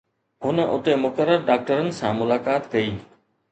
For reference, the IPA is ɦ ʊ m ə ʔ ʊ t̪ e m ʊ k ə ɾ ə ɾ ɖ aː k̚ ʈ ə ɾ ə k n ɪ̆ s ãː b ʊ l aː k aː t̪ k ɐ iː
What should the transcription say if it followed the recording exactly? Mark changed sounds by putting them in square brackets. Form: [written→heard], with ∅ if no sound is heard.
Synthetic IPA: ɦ ʊ [m→n] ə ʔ ʊ t̪ e m ʊ k ə ɾ ə ɾ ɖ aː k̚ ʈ ə ɾ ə [k→∅] n ɪ̆ s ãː [b→m] ʊ l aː k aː t̪ k ɐ iː

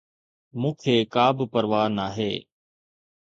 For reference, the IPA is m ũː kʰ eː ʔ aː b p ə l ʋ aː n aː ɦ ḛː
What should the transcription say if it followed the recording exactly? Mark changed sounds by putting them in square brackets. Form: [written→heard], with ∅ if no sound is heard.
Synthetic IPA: m ũː kʰ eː [ʔ→k] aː b p ə [l→ɾ] ʋ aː n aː ɦ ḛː

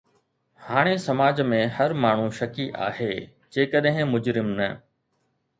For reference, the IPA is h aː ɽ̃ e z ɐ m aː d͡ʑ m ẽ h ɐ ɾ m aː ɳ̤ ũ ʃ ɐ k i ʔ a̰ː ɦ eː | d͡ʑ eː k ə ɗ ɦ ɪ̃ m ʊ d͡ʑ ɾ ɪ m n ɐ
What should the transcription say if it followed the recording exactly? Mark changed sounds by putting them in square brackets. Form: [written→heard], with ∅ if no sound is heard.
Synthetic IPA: h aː ɽ̃ e [z→s] ɐ m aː d͡ʑ m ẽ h ɐ ɾ m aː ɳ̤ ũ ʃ ɐ k i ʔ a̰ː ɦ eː | d͡ʑ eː k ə ɗ ɦ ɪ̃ m ʊ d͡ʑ ɾ ɪ m n ɐ

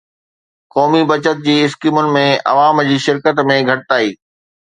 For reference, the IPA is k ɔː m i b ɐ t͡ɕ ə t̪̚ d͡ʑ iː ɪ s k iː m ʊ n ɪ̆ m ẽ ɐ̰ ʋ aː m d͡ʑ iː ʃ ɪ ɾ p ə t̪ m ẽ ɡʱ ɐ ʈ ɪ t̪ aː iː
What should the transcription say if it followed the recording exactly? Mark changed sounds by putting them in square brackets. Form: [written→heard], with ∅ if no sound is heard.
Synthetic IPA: k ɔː m i b ɐ t͡ɕ ə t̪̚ d͡ʑ iː ɪ s k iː m ʊ n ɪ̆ m ẽ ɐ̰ ʋ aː m d͡ʑ iː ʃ ɪ ɾ [p→k] ə t̪ m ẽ ɡʱ ɐ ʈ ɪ t̪ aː iː

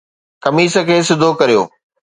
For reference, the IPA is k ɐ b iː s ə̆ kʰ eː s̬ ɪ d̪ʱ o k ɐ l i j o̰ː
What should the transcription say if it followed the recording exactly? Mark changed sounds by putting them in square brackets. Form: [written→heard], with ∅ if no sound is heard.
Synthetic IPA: k ɐ [b→m] iː s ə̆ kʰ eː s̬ ɪ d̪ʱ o k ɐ [l→ɾ] i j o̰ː

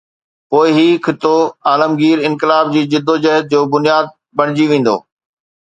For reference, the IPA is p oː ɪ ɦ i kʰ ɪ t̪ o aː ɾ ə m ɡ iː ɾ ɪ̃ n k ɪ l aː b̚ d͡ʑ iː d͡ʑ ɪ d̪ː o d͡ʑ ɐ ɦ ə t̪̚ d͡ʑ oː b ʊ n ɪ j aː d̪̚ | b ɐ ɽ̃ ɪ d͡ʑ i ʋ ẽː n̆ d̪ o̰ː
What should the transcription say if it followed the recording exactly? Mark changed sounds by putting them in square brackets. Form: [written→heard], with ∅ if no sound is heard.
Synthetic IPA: p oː ɪ ɦ i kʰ ɪ t̪ o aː [ɾ→l] ə m ɡ iː ɾ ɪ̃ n k ɪ l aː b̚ d͡ʑ iː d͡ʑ ɪ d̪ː o d͡ʑ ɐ ɦ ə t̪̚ d͡ʑ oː b ʊ n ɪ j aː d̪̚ | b ɐ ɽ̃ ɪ d͡ʑ i ʋ ẽː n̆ d̪ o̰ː

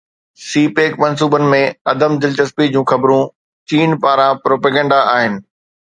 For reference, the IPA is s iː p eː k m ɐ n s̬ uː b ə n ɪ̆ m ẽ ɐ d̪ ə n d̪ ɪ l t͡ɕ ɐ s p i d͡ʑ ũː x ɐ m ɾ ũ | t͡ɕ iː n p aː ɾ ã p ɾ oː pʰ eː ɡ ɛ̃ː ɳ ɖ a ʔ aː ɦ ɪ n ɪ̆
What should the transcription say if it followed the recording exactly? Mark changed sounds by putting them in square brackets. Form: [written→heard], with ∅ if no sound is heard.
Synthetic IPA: s iː p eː k m ɐ n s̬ uː b ə n ɪ̆ m ẽ ɐ d̪ ə [n→m] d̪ ɪ l t͡ɕ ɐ s p i d͡ʑ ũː x ɐ [m→b] ɾ ũ | t͡ɕ iː n p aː ɾ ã p ɾ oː [pʰ→p] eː ɡ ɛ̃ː ɳ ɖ a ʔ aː ɦ ɪ n ɪ̆

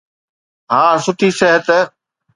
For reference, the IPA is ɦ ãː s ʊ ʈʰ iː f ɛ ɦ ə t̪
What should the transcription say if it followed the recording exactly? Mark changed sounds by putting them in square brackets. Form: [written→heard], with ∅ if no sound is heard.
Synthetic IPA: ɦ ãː s ʊ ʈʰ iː [f→s] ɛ ɦ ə t̪

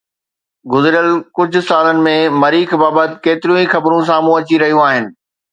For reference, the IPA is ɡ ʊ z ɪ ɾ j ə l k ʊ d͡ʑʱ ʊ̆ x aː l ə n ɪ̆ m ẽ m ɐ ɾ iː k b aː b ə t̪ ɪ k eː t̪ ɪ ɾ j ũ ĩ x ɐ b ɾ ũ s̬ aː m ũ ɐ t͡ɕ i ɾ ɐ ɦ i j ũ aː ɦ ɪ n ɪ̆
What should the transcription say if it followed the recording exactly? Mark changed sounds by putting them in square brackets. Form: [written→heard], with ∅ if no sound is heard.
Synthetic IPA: ɡ ʊ z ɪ ɾ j ə l k ʊ d͡ʑʱ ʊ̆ [x→s] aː l ə n ɪ̆ m ẽ m ɐ ɾ iː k b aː b ə t̪ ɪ k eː t̪ ɪ ɾ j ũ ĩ x ɐ b ɾ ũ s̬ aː m ũ ɐ t͡ɕ i ɾ ɐ ɦ i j ũ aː ɦ ɪ n ɪ̆

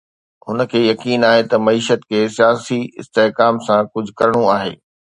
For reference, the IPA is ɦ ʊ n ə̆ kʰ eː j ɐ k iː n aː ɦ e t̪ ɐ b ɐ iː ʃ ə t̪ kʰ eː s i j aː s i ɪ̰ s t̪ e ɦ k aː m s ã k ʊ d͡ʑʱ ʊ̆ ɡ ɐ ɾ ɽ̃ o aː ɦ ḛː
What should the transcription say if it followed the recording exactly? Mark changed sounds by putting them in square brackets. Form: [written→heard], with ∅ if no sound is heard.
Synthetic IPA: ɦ ʊ n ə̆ kʰ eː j ɐ k iː n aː ɦ e t̪ ɐ [b→m] ɐ iː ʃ ə t̪ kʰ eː s i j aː s i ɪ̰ s t̪ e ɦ k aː m s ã k ʊ d͡ʑʱ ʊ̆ [ɡ→k] ɐ ɾ ɽ̃ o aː ɦ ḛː

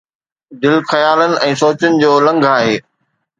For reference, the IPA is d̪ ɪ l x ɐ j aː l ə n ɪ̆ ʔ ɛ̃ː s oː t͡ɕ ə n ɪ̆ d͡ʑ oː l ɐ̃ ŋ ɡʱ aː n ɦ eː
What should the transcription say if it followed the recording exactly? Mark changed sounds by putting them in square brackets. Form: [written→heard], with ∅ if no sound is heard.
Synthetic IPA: d̪ ɪ l x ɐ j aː l ə n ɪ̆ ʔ ɛ̃ː s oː t͡ɕ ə n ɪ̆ d͡ʑ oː l ɐ̃ ŋ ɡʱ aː [n→∅] ɦ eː

